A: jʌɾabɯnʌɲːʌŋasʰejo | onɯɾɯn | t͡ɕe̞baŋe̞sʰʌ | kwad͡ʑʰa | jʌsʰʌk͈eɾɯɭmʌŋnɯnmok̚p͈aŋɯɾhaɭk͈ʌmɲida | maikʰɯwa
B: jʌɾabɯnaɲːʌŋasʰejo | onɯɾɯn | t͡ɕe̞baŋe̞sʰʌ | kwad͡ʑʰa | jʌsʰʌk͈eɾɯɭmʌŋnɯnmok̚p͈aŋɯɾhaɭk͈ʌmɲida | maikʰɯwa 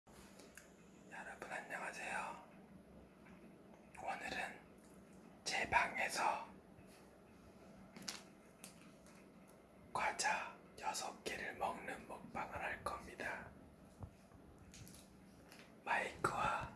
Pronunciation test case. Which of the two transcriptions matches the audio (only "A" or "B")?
B